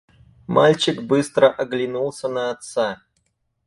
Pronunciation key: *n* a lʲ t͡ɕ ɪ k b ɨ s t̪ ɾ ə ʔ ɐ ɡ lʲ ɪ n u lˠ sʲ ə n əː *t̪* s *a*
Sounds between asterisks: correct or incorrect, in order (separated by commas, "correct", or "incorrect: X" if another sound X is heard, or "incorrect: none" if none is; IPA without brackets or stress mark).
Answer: incorrect: m, correct, correct